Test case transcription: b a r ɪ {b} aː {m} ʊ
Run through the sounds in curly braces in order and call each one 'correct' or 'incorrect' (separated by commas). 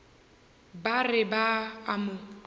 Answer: correct, correct